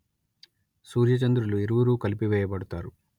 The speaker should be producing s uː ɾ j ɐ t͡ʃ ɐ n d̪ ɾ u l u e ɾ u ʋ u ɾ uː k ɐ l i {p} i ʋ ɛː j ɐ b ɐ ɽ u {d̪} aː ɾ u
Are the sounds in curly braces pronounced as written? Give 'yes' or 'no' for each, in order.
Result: yes, no

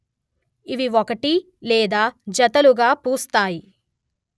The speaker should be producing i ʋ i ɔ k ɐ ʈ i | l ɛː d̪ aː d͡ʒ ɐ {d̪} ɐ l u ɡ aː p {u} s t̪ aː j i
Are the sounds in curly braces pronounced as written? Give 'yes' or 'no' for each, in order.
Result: no, no

